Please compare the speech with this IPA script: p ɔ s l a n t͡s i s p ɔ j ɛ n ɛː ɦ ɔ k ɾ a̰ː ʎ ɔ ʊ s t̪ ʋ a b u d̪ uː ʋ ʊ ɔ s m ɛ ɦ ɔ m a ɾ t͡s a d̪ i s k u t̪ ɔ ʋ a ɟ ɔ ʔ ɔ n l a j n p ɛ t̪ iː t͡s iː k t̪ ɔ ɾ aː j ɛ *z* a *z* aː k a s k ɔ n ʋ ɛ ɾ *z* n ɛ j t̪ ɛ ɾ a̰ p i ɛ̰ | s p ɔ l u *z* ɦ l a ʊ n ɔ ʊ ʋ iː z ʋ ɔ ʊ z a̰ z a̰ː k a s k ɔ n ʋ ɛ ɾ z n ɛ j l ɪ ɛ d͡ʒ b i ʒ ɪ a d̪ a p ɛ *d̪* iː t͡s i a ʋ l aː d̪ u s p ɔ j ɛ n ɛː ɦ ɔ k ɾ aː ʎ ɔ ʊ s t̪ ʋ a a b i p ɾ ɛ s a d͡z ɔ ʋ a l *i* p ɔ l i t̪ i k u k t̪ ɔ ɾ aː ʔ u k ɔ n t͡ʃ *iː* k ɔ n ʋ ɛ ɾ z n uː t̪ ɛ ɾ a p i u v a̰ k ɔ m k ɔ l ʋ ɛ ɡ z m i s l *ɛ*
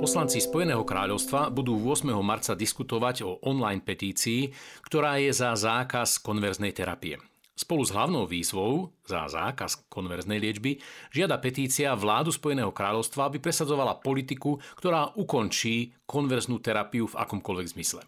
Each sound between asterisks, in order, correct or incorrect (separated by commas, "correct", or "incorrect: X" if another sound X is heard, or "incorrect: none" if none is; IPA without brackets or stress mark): correct, correct, correct, correct, incorrect: t̪, incorrect: a, correct, correct